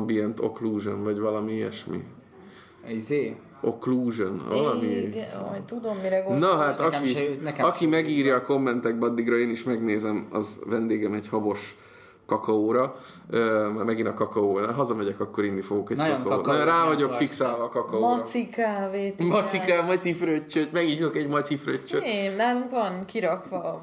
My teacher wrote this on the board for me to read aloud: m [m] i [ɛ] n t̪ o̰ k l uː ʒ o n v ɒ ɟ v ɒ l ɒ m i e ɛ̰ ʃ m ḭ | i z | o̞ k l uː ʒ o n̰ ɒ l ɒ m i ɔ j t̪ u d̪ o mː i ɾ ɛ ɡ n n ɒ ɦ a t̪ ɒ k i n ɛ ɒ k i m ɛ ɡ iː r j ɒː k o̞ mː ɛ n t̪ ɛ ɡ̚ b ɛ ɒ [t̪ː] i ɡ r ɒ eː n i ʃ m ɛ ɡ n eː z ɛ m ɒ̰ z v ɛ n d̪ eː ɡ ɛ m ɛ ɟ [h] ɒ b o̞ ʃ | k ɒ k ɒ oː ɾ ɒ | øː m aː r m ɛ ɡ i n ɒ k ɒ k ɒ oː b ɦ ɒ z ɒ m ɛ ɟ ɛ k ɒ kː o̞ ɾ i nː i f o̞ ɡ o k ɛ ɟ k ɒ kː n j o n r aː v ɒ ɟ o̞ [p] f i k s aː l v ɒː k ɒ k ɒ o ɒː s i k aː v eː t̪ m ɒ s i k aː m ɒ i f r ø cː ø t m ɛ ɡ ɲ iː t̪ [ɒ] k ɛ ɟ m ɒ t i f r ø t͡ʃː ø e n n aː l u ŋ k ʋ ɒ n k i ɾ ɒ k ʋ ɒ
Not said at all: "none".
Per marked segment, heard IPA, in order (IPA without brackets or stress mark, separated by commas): b, ɛ, d̪ː, h, k, o